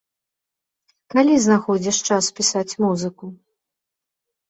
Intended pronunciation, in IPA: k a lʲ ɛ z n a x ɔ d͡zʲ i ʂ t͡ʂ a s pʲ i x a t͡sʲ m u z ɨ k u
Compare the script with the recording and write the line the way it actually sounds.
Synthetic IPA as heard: k a lʲ i z n a x ɔ d͡zʲ i ʂ t͡ʂ a s pʲ i s a t͡sʲ m u z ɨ k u